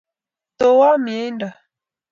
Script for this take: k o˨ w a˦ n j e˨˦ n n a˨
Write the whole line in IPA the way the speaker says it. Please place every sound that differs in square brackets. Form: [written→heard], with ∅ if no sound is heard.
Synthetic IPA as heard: [k→t] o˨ w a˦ [n→m] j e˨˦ n [n→d] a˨